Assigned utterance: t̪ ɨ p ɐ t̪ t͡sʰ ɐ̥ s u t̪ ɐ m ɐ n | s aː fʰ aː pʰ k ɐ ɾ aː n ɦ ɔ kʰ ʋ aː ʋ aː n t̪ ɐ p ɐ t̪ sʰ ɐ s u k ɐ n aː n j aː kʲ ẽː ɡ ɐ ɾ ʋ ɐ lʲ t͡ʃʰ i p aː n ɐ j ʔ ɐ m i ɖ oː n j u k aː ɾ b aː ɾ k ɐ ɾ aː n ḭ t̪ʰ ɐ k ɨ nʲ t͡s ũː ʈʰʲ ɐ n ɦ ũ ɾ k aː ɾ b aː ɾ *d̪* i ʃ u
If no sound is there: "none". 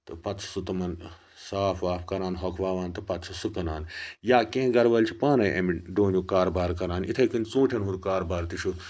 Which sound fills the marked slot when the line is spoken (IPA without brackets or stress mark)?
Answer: t̪